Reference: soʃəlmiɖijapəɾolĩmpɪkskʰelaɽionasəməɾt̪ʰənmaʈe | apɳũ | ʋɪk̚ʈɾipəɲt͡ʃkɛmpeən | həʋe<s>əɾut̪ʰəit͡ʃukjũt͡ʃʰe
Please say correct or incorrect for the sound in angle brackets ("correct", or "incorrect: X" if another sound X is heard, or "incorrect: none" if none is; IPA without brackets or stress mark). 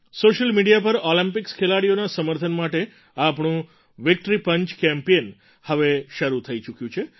incorrect: ʃ